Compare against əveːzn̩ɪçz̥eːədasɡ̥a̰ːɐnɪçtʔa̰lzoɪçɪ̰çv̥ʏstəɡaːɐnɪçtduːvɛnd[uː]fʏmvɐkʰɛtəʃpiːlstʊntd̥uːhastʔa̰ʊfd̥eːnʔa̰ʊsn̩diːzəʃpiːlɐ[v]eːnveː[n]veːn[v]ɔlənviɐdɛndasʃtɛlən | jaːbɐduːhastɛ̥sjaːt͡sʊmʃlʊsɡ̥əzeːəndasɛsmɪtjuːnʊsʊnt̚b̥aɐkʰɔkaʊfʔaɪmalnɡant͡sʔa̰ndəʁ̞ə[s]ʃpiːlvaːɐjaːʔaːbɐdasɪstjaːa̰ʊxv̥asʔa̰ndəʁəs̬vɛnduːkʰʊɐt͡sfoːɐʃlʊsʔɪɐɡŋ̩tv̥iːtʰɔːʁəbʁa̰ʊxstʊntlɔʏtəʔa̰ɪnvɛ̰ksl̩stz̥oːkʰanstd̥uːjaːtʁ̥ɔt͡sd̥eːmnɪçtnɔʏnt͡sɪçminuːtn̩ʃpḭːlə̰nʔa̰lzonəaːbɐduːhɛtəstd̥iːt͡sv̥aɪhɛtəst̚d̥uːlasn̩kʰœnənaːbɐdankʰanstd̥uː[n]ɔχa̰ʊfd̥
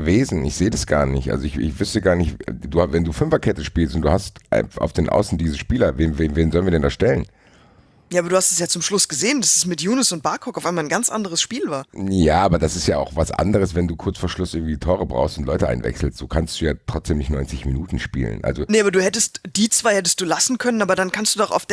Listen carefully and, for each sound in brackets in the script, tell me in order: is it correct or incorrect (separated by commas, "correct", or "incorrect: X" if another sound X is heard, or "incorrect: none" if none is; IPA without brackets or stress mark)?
correct, correct, correct, incorrect: z, correct, incorrect: d